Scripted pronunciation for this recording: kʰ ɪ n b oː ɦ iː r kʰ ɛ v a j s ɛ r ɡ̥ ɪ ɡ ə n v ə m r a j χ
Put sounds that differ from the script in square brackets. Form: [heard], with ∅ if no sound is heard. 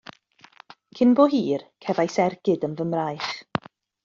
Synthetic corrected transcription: kʰ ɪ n b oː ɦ iː r kʰ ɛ v a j s ɛ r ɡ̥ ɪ [d] ə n v ə m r a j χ